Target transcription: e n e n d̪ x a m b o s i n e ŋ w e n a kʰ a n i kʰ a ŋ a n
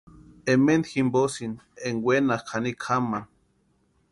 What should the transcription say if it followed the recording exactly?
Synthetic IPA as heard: e m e n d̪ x i m b o s i n e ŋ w e n a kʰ a n i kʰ a m a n